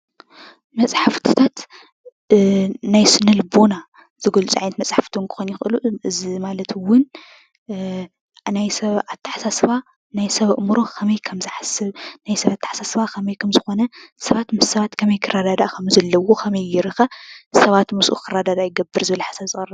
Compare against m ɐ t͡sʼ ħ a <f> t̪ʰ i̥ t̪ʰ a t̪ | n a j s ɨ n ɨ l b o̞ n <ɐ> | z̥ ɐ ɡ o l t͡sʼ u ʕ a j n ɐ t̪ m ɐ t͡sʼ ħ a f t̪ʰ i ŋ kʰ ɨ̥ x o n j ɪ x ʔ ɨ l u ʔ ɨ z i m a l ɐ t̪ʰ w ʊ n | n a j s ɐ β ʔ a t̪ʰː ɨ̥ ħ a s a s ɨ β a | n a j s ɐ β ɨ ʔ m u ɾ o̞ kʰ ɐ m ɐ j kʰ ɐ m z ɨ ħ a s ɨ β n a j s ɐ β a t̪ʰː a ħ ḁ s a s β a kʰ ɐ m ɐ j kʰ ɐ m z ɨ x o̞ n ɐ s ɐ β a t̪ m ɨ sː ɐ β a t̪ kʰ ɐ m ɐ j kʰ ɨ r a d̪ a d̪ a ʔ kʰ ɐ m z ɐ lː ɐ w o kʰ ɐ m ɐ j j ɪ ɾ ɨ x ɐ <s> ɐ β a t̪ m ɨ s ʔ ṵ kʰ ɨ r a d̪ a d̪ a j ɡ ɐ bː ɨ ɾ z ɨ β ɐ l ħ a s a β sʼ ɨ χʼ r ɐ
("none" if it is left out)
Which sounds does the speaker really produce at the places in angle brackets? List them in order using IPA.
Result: f, a, s

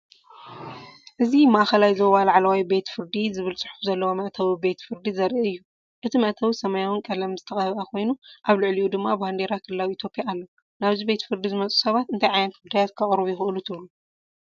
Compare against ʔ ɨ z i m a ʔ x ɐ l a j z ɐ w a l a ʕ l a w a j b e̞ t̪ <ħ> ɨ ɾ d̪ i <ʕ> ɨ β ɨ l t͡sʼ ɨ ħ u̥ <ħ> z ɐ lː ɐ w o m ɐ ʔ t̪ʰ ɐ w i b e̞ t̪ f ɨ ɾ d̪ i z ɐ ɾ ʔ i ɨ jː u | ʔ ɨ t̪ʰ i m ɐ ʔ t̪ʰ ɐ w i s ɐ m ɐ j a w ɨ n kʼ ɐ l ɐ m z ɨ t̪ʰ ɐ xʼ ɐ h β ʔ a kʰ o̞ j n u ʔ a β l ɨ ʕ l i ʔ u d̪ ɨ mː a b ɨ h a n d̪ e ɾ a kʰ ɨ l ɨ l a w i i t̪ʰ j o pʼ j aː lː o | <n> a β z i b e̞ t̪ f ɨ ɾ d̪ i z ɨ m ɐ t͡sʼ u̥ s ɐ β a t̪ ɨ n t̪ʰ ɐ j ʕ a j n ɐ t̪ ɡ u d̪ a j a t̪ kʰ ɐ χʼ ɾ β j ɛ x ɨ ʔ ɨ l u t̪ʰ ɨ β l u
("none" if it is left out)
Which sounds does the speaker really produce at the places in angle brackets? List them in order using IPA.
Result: f, z, f, n

